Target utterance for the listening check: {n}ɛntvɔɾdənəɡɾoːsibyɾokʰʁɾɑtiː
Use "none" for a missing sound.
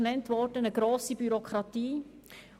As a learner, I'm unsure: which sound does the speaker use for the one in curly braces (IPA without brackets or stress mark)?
n